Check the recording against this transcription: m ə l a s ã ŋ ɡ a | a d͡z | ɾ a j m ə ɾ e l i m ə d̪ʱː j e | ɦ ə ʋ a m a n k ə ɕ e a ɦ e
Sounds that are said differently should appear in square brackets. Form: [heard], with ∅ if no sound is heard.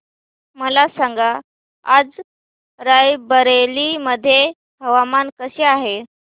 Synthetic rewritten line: m ə l a s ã ŋ ɡ a | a d͡z | ɾ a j [b] ə ɾ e l i m ə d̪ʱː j e | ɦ ə ʋ a m a n k ə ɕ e a ɦ e